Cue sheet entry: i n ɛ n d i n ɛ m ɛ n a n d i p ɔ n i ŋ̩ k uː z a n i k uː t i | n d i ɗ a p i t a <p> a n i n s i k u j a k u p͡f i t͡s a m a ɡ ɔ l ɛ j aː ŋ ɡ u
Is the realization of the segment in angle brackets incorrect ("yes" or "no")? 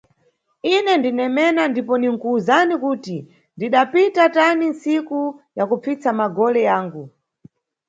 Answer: yes